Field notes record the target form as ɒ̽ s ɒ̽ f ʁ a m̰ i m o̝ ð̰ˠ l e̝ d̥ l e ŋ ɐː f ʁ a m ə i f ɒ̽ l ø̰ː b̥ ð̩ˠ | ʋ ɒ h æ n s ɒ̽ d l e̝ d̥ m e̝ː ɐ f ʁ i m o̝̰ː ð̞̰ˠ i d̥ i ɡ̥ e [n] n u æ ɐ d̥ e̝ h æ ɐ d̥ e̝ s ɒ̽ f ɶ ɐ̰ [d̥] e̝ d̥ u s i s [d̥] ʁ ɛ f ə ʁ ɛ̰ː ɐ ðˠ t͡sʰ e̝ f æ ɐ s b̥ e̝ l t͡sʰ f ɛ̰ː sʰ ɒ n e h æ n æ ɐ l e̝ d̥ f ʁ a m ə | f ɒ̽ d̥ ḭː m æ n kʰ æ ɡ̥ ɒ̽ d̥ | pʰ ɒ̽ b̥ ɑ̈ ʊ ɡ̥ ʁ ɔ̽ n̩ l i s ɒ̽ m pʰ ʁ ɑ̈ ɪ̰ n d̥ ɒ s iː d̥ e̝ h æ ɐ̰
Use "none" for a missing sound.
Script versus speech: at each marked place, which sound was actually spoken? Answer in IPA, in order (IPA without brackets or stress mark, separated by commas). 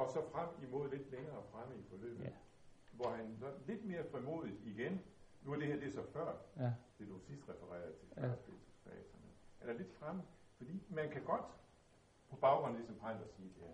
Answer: n, d̥, d̥